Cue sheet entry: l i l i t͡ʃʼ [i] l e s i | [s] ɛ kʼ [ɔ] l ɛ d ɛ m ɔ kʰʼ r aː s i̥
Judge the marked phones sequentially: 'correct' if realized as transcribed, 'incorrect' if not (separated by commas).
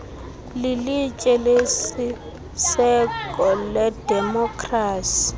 incorrect, correct, correct